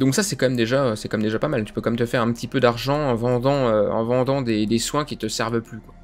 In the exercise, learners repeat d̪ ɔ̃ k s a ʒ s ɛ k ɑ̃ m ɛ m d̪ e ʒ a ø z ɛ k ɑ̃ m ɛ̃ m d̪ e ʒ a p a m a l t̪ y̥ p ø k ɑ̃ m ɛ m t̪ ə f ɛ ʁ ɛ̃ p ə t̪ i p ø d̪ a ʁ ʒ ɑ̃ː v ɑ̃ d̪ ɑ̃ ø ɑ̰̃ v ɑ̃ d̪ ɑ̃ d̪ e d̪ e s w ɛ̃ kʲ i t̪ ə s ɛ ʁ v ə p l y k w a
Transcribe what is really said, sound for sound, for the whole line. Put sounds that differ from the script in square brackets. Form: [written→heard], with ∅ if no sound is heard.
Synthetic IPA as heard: d̪ ɔ̃ k s a [ʒ→∅] s ɛ k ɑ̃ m ɛ m d̪ e ʒ a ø [z→s] ɛ k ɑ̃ m [ɛ̃→ɛ] m d̪ e ʒ a p a m a l t̪ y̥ p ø k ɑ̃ m ɛ m t̪ ə f ɛ ʁ ɛ̃ p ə t̪ i p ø d̪ a ʁ ʒ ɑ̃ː v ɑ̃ d̪ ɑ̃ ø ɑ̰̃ v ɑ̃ d̪ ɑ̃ d̪ e d̪ e s w ɛ̃ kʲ i t̪ ə s ɛ ʁ v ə p l y k w a